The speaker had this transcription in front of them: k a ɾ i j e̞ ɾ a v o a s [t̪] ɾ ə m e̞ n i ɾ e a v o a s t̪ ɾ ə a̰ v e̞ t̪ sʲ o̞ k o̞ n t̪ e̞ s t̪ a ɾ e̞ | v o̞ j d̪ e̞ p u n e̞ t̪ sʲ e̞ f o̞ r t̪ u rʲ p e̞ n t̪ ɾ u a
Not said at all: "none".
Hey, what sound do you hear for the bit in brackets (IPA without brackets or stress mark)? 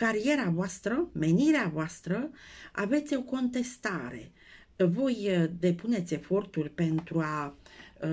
t̪